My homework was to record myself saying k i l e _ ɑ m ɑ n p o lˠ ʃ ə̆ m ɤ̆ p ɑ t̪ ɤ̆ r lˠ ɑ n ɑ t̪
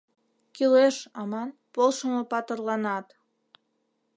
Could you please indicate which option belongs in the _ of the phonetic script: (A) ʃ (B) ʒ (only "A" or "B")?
A